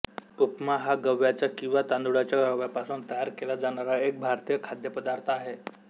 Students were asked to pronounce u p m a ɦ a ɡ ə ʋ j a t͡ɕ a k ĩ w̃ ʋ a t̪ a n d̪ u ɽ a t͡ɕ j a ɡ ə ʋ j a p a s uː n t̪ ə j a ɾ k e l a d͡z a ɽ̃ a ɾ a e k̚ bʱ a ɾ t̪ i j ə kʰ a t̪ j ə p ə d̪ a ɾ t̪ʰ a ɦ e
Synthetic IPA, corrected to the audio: u p m a ɦ a ɡ ə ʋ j a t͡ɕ a k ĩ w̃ ʋ a t̪ a n d̪ u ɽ a t͡ɕ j a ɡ ə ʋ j a p a s uː n t̪ ə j a ɾ k e l a d͡z a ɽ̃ a ɾ a e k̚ bʱ a ɾ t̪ i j ə kʰ a d̪ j ə p ə d̪ a ɾ t̪ʰ a ɦ e